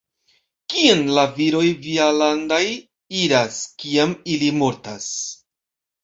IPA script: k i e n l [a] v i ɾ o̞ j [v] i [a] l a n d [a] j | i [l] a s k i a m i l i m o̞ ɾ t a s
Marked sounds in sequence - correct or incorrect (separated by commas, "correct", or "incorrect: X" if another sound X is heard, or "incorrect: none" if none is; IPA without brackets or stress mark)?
correct, correct, correct, correct, incorrect: ɾ